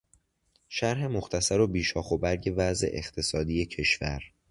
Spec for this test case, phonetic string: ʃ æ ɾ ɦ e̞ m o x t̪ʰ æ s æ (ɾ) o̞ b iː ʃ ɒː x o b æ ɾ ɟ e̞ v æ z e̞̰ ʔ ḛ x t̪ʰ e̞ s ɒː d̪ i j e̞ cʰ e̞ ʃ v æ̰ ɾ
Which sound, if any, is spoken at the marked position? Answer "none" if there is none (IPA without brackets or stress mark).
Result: ɾ